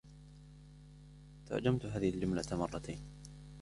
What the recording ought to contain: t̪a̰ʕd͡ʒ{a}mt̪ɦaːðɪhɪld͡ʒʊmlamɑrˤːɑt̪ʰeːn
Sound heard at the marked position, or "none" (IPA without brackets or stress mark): a